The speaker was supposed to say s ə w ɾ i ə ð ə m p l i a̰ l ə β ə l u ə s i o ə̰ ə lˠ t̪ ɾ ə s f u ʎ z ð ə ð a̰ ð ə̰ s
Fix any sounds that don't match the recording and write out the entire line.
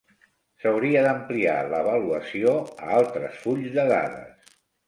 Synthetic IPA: s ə w ɾ i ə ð ə m p l i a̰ l ə β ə l u ə s i o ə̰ a lˠ t̪ ɾ ə s f u ʎ z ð ə ð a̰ ð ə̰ s